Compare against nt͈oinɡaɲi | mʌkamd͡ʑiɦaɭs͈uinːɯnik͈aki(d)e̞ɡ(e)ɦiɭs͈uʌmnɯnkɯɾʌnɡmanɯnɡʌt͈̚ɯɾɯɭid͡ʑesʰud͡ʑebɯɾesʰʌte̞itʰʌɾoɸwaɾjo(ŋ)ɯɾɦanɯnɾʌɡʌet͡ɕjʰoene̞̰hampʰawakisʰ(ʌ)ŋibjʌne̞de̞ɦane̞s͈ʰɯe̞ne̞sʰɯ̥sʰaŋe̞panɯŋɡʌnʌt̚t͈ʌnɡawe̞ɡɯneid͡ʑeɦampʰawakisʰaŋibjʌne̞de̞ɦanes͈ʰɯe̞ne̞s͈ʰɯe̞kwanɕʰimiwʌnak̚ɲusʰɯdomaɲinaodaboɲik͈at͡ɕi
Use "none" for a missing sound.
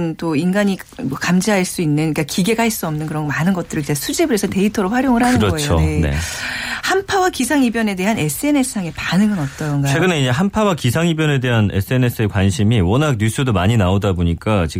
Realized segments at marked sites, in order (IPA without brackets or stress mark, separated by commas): ɡ, a, ŋ, a